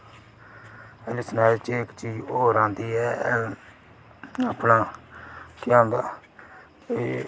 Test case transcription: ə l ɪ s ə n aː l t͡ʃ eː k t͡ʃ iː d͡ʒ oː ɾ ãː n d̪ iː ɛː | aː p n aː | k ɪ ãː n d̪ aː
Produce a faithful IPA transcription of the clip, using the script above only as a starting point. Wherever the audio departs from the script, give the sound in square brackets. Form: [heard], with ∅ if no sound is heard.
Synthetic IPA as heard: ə l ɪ s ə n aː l t͡ʃ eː k t͡ʃ iː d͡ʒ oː ɾ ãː n d̪ iː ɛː | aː p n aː | k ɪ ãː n d̪ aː

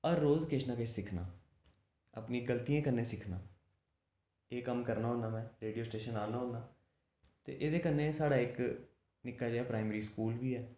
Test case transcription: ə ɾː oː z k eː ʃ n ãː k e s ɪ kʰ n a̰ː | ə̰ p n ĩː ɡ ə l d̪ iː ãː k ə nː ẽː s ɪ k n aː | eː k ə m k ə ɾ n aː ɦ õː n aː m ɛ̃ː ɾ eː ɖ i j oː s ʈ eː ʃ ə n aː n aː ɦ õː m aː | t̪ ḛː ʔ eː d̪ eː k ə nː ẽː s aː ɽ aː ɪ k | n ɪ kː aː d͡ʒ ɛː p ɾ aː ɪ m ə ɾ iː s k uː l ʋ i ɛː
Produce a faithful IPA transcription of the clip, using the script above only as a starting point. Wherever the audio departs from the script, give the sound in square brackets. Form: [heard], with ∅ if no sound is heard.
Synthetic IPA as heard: ə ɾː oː z k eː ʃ n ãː k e s ɪ kʰ n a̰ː | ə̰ p n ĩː ɡ ə l [t̪] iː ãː k ə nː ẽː s ɪ [kʰ] n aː | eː k ə m k ə ɾ n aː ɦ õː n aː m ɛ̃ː ɾ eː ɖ i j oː s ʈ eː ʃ ə n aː n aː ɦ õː [n] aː | t̪ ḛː ʔ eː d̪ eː k ə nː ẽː s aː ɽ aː ɪ k | n ɪ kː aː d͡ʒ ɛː p ɾ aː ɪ m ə ɾ iː s k uː l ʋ [iː] ɛː

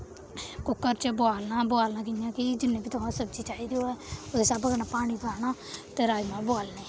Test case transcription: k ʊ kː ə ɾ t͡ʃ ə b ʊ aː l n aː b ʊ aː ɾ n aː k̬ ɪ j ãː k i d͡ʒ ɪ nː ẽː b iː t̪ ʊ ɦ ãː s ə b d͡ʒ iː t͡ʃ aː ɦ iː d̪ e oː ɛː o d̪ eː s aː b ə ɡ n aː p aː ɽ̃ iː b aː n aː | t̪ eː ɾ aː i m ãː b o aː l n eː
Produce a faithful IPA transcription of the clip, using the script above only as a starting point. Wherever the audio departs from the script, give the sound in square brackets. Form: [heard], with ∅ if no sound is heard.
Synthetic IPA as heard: k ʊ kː ə ɾ t͡ʃ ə b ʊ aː l n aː b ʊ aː [l] n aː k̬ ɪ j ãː k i d͡ʒ ɪ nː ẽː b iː t̪ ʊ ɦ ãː s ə b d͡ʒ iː t͡ʃ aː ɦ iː d̪ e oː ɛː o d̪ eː s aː b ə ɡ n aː p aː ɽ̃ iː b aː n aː | t̪ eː ɾ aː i m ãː b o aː l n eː

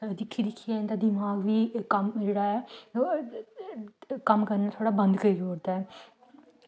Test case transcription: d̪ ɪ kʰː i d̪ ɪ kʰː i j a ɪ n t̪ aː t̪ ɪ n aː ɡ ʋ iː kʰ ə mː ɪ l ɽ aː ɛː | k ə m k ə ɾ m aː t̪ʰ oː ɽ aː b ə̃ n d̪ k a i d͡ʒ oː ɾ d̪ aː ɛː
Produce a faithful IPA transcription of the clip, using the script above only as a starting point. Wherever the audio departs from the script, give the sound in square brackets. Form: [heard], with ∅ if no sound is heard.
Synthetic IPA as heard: d̪ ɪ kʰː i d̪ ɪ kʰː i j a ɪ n [d̪] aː [d̪] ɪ [m] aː ɡ ʋ iː [k] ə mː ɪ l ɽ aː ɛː | k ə m k ə ɾ [n] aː t̪ʰ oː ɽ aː b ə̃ n d̪ k [ə] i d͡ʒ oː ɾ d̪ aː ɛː

